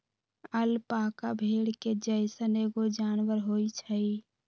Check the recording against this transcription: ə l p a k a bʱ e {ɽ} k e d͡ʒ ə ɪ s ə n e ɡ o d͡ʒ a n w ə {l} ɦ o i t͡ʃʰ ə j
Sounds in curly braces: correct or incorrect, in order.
correct, incorrect

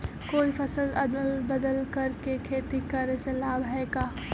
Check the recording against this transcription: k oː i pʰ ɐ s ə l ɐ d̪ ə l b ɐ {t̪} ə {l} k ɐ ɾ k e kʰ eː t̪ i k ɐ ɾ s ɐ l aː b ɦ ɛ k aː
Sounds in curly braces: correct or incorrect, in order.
incorrect, correct

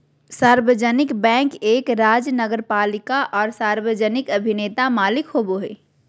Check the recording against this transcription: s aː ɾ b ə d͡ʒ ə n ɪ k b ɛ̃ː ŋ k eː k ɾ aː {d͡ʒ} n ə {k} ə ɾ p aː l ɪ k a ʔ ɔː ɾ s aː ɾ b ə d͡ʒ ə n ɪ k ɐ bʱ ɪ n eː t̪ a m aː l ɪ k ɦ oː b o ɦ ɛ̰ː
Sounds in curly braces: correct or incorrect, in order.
correct, incorrect

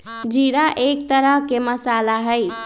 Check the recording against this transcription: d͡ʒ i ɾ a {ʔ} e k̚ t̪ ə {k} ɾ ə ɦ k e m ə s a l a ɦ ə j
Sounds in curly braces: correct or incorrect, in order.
correct, incorrect

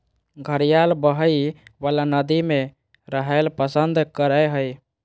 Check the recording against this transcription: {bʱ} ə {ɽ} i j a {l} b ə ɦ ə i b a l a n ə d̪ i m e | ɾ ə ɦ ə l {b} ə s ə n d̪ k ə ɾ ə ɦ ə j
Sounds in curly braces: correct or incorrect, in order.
incorrect, incorrect, correct, incorrect

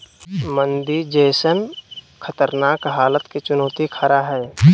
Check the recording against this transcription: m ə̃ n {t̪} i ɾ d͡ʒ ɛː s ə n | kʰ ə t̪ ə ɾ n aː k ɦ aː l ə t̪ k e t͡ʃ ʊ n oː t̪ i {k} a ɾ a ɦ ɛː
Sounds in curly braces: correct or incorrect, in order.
incorrect, incorrect

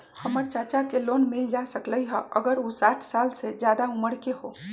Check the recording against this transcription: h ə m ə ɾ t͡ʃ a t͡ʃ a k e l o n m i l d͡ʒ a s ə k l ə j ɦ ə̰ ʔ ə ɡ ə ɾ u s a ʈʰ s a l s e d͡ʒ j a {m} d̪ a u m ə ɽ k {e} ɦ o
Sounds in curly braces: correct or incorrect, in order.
incorrect, correct

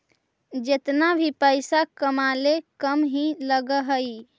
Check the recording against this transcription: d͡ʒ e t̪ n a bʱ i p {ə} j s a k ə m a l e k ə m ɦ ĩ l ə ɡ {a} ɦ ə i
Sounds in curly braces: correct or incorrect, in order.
correct, incorrect

